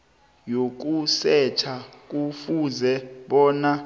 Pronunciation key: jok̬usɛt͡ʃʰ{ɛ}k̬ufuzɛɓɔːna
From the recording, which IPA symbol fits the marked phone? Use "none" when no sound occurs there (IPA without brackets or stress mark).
a